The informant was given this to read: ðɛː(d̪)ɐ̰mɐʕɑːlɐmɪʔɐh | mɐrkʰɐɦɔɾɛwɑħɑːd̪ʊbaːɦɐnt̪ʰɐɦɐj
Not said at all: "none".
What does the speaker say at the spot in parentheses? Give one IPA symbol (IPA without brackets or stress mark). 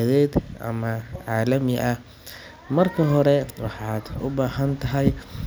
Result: d̪